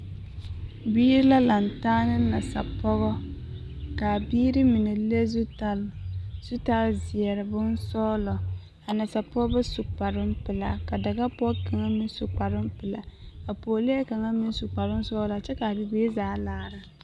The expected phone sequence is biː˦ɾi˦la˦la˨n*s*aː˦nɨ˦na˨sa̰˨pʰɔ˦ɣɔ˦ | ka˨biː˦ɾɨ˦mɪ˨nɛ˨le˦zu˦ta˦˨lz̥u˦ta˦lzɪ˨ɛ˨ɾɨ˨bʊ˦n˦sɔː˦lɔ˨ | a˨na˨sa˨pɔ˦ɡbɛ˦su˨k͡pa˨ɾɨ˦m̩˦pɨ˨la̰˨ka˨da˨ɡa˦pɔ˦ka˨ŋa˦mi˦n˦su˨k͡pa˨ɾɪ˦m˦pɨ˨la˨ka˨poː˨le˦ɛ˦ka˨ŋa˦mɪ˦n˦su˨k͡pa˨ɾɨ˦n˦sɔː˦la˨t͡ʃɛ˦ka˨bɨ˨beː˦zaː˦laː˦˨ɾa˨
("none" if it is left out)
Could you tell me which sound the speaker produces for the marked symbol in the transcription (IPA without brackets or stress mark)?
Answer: t